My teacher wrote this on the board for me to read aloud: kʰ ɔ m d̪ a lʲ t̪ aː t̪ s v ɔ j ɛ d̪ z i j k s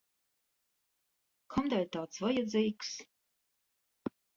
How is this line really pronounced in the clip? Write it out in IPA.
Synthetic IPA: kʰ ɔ m d̪ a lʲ t̪ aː t̪ s v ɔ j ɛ d̪ z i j k s